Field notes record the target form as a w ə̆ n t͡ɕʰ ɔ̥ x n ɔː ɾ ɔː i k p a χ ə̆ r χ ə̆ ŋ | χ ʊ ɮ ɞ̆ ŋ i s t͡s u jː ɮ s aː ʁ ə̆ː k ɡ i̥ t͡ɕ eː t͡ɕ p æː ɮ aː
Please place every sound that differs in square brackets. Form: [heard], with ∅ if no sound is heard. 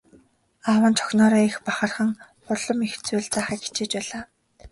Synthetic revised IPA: a w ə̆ n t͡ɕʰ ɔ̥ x n ɔː ɾ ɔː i [x] p a χ ə̆ r χ ə̆ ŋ | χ ʊ ɮ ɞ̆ [m] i [x] t͡s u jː ɮ [t͡s] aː [χ] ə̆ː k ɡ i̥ t͡ɕ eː t͡ɕ p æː ɮ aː